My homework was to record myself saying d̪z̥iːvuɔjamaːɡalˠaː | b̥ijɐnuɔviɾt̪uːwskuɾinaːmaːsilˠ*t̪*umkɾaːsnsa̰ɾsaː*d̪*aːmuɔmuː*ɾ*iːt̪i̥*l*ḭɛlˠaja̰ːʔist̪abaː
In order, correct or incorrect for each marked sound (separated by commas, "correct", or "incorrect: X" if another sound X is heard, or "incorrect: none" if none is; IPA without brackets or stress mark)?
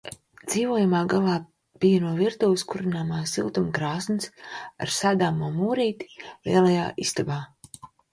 correct, correct, correct, correct